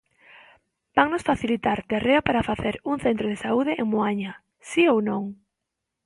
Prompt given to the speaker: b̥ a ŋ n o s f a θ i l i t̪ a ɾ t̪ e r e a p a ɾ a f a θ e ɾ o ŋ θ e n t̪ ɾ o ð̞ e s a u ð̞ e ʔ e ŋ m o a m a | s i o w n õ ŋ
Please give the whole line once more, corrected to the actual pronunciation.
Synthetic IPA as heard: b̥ a ŋ n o s f a θ i l i t̪ a ɾ t̪ e r e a p a ɾ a f a θ e ɾ u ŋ θ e n t̪ ɾ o ð̞ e s a u ð̞ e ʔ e ŋ m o a ɲ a | s i o w n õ ŋ